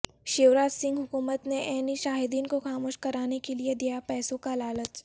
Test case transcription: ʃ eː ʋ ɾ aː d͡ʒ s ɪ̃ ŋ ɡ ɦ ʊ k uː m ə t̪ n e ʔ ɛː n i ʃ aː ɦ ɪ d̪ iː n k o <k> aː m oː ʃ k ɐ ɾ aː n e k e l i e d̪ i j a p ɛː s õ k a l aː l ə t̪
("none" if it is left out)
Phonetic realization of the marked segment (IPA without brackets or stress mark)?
x